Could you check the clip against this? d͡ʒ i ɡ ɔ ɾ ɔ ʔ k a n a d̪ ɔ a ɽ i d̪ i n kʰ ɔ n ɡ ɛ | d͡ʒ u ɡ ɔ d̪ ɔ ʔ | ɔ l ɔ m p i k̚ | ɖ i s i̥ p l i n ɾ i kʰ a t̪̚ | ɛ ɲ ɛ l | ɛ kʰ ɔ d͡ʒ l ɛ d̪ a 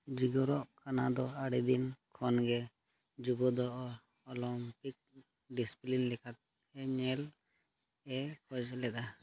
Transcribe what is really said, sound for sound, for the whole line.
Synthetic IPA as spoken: d͡ʒ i ɡ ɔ ɾ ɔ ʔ k a n a d̪ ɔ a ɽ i d̪ i n kʰ ɔ n ɡ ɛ | d͡ʒ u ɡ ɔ d̪ ɔ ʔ | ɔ l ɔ m p i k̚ | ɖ i s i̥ p l i n l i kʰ a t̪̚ | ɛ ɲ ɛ l | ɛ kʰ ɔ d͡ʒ l ɛ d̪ a